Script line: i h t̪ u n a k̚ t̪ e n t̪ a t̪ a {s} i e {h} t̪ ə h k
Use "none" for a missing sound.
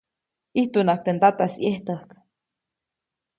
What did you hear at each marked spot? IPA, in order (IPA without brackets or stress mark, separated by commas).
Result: s, h